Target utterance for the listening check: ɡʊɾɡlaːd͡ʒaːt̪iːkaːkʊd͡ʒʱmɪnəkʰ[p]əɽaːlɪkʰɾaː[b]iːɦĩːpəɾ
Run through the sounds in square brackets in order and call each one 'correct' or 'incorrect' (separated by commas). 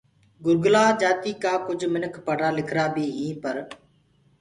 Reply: correct, correct